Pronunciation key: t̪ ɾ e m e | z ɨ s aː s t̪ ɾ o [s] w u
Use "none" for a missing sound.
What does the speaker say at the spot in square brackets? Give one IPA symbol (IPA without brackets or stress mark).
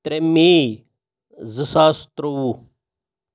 none